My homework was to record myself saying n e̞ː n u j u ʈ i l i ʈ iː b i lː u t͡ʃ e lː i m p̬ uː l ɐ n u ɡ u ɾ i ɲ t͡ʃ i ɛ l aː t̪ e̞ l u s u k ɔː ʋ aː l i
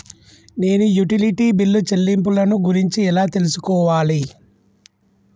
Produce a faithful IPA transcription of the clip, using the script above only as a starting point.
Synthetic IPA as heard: n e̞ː n u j u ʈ i l i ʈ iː b i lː u t͡ʃ e lː i m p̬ u l ɐ n u ɡ u ɾ i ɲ t͡ʃ i ɛ l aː t̪ e̞ l u s u k ɔː ʋ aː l i